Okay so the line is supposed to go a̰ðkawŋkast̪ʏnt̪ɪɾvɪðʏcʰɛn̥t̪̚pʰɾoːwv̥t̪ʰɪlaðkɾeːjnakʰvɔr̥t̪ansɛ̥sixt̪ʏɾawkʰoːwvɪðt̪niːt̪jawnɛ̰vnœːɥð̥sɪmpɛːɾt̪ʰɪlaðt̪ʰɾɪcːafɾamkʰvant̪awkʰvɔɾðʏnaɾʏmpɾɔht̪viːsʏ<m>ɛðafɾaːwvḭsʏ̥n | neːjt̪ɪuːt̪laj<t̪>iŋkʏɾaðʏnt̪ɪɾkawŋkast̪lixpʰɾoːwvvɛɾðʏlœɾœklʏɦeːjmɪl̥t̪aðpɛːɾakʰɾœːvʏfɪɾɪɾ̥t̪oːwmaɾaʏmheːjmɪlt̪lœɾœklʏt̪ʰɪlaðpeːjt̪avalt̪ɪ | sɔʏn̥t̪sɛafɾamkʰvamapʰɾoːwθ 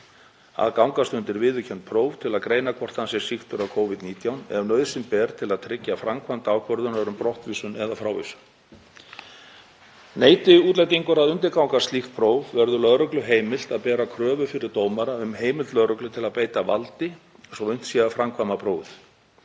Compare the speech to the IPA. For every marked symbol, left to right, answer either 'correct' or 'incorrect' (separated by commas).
incorrect, correct